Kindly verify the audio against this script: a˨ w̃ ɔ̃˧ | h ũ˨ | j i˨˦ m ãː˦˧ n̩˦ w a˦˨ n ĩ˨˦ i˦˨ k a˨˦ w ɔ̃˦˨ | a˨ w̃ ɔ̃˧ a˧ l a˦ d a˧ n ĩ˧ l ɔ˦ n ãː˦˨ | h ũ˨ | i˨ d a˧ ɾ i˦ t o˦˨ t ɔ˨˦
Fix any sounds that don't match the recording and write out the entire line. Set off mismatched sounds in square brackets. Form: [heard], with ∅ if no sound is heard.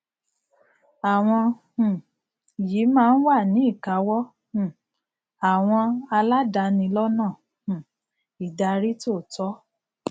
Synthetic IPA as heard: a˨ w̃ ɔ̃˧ | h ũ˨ | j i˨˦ m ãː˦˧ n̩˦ w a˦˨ n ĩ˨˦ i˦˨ k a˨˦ w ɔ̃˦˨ | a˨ w̃ ɔ̃˧ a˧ l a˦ d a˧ n ĩ˧ l ɔ˦ n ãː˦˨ | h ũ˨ | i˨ d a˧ ɾ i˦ t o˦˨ t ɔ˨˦